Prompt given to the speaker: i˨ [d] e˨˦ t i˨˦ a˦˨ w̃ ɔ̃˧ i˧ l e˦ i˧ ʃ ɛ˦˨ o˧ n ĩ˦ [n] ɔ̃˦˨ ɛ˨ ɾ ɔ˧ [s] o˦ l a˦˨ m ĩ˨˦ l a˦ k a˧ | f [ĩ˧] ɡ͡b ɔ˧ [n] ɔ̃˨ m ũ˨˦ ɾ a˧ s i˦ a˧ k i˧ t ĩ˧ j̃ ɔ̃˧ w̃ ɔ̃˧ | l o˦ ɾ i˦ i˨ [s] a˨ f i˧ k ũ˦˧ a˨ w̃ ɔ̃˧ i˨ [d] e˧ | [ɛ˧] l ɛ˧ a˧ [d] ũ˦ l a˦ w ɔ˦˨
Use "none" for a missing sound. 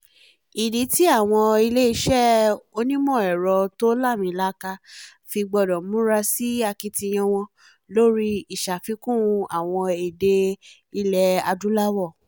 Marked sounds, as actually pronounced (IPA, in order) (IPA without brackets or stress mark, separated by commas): d, m, t, i˧, d, ʃ, d, i˧, d